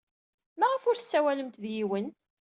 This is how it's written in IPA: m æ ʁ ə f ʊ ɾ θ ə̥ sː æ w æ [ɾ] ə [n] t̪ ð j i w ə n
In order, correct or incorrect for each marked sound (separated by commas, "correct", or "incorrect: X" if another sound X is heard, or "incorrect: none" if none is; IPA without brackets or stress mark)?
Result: incorrect: l, incorrect: m